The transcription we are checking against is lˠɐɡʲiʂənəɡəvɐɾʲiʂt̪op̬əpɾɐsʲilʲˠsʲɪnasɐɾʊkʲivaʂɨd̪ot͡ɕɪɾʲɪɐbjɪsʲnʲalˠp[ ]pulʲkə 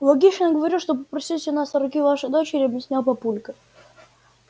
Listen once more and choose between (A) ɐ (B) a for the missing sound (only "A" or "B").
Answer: A